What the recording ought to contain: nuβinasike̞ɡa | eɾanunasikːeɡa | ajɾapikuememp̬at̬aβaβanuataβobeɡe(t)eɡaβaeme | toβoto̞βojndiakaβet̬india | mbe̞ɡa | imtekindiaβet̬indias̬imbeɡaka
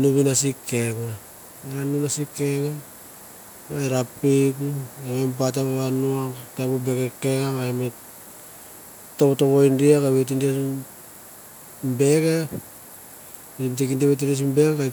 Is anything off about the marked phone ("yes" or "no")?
yes